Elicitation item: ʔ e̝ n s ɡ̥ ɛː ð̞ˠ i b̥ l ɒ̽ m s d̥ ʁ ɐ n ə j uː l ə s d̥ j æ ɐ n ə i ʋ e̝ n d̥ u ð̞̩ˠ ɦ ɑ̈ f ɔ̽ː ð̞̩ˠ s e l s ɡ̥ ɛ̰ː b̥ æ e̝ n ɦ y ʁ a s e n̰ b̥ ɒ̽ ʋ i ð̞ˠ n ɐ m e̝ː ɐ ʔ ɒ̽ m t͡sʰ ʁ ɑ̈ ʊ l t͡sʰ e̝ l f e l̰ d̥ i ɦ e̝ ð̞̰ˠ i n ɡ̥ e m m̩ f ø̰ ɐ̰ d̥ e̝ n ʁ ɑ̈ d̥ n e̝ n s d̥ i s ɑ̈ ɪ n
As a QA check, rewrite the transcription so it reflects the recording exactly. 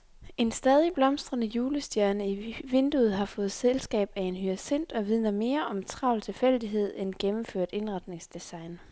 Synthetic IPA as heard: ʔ e̝ n s d̥ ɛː ð̞ˠ i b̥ l ɒ̽ m s d̥ ʁ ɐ n ə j uː l ə s d̥ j æ ɐ n ə i ʋ e̝ n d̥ u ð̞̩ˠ ɦ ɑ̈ f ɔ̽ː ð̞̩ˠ s e l s ɡ̥ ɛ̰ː b̥ æ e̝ n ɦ y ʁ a s e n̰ d̥ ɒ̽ ʋ i ð̞ˠ n ɐ m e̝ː ɐ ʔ ɒ̽ m t͡sʰ ʁ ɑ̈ ʊ l t͡sʰ e̝ l f e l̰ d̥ i ɦ e̝ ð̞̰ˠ e n ɡ̥ e m m̩ f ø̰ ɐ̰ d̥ e̝ n ʁ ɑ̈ d̥ n e̝ ŋ s d̥ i s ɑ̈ ɪ n

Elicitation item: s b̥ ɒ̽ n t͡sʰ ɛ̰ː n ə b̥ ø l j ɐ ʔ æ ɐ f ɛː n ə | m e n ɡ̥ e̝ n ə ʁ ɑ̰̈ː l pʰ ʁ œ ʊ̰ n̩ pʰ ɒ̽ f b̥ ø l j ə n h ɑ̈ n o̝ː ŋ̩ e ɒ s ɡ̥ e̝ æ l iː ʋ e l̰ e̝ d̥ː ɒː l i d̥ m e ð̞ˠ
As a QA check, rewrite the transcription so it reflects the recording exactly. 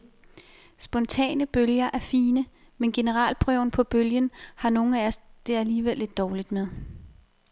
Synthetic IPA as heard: s b̥ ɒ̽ n t͡sʰ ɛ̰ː n ə b̥ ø l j ɐ ʔ æ ɐ f iː n ə | m e n ɡ̥ e̝ n ə ʁ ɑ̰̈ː l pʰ ʁ œ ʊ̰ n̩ pʰ ɒ̽ b̥ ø l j ə n h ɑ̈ n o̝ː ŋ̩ æ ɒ s d̥ e̝ æ l iː ʋ e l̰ e̝ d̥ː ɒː l i d̥ m e ð̞ˠ

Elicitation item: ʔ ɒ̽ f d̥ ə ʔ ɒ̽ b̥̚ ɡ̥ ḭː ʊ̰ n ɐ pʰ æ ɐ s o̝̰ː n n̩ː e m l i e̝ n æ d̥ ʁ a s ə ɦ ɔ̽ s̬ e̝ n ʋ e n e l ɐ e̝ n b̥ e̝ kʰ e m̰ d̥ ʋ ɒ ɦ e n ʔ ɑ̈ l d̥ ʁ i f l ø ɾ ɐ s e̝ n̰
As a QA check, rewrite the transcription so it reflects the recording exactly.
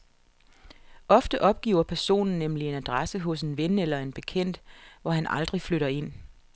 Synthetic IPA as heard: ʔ ɒ̽ f d̥ ə ʔ ɒ̽ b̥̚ ɡ̥ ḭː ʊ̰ ɐ pʰ æ ɐ s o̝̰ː n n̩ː e m l i e̝ n æ d̥ ʁ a s ə ɦ ɔ̽ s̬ e̝ n ʋ e n e l ɐ e̝ n b̥ e̝ kʰ e n̰ d̥ ʋ ɒ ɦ æ n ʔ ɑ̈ l d̥ ʁ i f l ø ɾ ɐ e̝ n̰

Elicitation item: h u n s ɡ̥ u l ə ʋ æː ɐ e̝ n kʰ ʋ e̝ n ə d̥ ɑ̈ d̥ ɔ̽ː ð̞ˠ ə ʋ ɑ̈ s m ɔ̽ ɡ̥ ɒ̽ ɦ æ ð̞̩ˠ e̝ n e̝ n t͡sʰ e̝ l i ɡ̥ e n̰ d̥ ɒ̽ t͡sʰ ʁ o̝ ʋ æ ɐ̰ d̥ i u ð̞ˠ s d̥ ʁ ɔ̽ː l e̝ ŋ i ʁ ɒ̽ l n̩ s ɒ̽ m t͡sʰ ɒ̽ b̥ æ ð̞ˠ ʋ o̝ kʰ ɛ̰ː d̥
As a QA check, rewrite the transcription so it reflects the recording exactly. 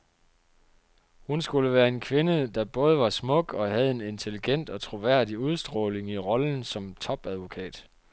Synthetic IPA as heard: h u n s ɡ̥ u l ə ʋ æː ɐ e̝ n kʰ ʋ e̝ n ə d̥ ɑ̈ b̥ ɔ̽ː ð̞ˠ ə ʋ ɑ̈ s m ɔ̽ ɡ̥ ɒ̽ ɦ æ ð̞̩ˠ e̝ n e̝ n t͡sʰ e̝ l i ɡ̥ e n̰ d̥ ɒ̽ t͡sʰ ʁ o̝ ʋ æ ɐ̰ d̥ i u ð̞ˠ s d̥ ʁ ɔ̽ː l e̝ ŋ i ʁ ɒ̽ l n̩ s ɒ̽ m t͡sʰ ɒ̽ b̥ æ ð̞ˠ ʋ o̝ kʰ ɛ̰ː d̥

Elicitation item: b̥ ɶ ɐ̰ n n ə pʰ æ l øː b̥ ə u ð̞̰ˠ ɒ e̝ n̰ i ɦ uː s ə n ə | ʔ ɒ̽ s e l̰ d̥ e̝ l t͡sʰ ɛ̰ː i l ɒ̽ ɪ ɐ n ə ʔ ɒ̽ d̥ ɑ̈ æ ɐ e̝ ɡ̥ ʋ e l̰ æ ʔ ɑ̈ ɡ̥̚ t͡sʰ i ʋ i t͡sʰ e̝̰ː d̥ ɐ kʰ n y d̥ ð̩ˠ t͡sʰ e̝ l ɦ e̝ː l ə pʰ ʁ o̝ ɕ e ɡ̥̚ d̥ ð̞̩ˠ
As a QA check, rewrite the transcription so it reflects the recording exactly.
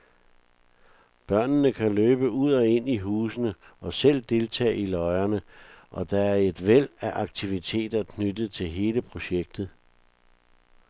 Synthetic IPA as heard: b̥ ɶ ɐ̰ n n ə kʰ æ l øː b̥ ə u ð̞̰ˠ ɒ e̝ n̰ i ɦ uː s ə n ə | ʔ ɒ̽ s e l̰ d̥ e̝ l t͡sʰ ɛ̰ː i l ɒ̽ ɪ ɐ n ə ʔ ɒ̽ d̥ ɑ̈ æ ɐ e̝ d̥ ʋ e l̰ æ ʔ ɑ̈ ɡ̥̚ t͡sʰ i ʋ i t͡sʰ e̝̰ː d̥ ɐ kʰ n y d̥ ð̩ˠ t͡sʰ e̝ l ɦ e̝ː l ə pʰ ʁ o̝ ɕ e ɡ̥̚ d̥ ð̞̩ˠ

